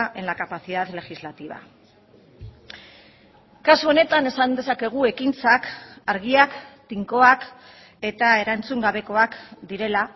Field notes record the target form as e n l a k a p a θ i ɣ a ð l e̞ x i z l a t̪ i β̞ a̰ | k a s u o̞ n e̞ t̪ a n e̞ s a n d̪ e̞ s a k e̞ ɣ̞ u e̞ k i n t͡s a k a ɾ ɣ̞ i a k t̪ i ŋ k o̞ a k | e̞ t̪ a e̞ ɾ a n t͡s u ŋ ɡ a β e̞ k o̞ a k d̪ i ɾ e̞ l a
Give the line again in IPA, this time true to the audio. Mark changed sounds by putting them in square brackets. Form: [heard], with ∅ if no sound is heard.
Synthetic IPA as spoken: e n l a k a p a θ i [ð] a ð l e̞ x i z l a t̪ i β̞ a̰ | k a s u o̞ n e̞ t̪ a n e̞ s a n d̪ e̞ s a k e̞ ɣ̞ u e̞ k i n t͡s a k a ɾ ɣ̞ i a k t̪ i ŋ k o̞ a k | e̞ t̪ a e̞ ɾ a n t͡s u ŋ ɡ a β e̞ k o̞ a k d̪ i ɾ e̞ l a